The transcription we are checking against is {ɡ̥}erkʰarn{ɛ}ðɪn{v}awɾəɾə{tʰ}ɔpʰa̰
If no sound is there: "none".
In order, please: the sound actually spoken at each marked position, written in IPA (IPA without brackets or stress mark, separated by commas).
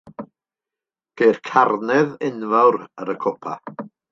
ɡ̥, ɛ, v, kʰ